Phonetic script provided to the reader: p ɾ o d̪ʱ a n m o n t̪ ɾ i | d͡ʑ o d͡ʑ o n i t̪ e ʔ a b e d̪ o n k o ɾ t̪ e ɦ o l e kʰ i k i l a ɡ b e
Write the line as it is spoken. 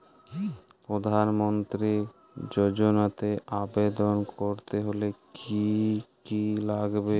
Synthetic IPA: p ɾ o d̪ʱ a n m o n t̪ ɾ i | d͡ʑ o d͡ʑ o n a t̪ e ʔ a b e d̪ o n k o ɾ t̪ e ɦ o l e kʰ i k i l a ɡ b e